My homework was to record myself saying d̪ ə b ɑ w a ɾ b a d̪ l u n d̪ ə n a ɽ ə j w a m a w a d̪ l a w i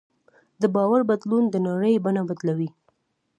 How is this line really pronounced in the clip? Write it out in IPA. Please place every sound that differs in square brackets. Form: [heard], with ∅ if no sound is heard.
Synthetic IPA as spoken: d̪ ə b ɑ w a ɾ b a d̪ l u n d̪ ə n a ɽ ə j [b] a [n] a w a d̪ l a w i